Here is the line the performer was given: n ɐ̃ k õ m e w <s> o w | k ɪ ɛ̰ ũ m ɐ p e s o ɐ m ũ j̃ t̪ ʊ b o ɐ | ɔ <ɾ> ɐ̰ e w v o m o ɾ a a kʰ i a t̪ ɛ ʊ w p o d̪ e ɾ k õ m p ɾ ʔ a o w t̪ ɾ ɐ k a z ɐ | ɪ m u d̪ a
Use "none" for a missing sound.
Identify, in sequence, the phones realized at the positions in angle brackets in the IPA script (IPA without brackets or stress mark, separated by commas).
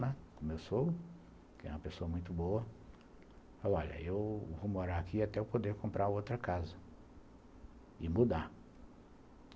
s, ʎ